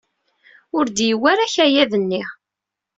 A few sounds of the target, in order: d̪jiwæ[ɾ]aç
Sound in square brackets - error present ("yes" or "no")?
no